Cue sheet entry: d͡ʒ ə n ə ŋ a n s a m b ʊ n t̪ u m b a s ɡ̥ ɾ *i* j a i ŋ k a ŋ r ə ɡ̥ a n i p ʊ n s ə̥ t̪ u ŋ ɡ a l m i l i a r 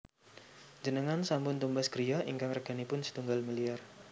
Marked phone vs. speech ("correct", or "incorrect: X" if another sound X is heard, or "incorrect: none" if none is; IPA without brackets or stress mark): correct